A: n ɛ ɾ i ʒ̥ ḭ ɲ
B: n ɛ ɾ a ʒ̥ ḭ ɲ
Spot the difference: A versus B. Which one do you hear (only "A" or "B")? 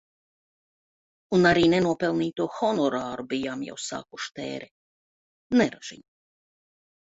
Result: B